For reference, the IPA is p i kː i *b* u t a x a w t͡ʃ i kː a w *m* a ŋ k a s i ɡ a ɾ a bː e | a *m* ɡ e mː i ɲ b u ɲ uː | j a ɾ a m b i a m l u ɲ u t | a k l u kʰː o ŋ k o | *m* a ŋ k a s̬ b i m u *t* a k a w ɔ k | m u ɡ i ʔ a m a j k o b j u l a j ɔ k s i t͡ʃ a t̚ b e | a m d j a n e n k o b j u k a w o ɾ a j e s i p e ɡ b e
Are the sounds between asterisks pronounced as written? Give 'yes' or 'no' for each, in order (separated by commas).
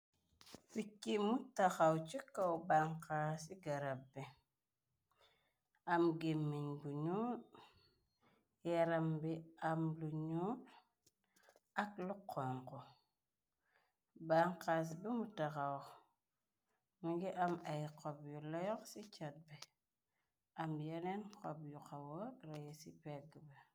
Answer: no, no, yes, no, yes